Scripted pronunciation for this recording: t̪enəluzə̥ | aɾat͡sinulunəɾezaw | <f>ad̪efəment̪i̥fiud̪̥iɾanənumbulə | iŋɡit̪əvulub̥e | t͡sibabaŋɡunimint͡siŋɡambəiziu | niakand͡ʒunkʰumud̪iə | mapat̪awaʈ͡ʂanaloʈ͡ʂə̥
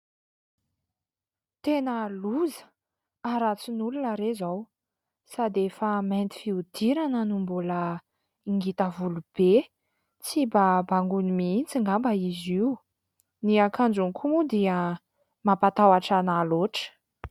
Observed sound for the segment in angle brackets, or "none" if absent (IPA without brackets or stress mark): s